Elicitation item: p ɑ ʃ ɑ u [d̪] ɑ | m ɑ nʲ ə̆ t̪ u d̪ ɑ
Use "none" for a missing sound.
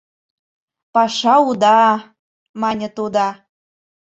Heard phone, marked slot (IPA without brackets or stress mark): d̪